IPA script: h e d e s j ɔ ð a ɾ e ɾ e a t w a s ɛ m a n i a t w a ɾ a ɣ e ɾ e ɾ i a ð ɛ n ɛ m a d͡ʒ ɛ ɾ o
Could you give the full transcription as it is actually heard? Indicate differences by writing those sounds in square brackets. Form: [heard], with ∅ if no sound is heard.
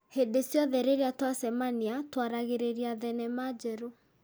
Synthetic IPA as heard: h e d e s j ɔ ð [ɛ] ɾ e ɾ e a t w a s ɛ m a n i a t w a ɾ a ɣ e ɾ e ɾ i a ð ɛ n ɛ m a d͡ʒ ɛ ɾ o